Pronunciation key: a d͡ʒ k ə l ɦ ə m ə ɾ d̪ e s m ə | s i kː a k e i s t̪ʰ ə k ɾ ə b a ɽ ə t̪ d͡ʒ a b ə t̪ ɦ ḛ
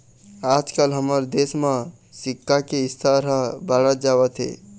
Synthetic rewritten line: a d͡ʒ k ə l ɦ ə m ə ɾ d̪ e s m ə | s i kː a k e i s t̪ʰ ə ɾ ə b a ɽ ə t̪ d͡ʒ a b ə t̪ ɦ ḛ